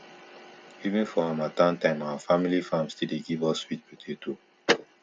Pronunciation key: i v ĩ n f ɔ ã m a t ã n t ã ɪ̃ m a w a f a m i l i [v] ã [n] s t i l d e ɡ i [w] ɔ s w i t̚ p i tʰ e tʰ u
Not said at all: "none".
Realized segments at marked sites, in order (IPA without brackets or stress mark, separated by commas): f, m, v